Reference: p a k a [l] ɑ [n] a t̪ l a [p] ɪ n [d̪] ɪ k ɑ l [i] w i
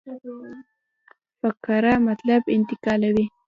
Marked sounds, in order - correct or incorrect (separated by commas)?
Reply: incorrect, incorrect, incorrect, incorrect, incorrect